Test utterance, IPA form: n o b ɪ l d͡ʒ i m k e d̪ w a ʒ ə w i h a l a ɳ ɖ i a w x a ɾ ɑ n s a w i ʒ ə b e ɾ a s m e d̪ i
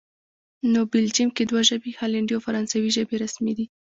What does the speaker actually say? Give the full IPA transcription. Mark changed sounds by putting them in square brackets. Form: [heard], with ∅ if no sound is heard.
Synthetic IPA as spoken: n o b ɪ l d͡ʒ i m k e d̪ w a ʒ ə [b] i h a l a ɳ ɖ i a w [f] a ɾ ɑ n s a w i ʒ ə b e ɾ a s m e d̪ i